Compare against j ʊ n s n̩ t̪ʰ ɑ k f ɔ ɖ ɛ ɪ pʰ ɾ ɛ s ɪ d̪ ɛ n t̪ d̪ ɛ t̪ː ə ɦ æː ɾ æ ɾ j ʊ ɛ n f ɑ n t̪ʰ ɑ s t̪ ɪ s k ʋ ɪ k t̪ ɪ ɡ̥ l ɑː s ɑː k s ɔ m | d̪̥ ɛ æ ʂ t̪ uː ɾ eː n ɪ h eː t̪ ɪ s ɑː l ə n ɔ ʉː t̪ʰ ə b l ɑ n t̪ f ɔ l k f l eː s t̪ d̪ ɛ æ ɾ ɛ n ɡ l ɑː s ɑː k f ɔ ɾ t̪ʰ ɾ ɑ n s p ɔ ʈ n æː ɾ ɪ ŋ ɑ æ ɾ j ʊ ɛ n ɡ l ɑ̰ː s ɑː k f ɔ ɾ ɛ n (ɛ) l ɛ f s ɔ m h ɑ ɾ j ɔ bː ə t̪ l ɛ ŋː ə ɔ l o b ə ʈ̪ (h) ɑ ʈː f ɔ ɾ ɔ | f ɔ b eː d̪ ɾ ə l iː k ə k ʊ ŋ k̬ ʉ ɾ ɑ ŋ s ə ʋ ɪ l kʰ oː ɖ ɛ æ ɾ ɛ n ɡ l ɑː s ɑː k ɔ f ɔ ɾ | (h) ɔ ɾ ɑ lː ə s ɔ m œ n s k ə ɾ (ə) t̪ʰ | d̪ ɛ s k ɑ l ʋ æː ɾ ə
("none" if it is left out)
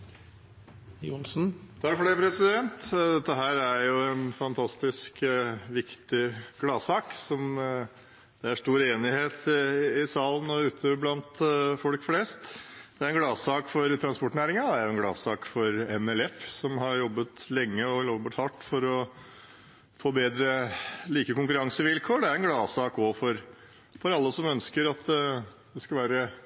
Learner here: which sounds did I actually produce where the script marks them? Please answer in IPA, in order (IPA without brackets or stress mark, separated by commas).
ɛ, h, f, ɑ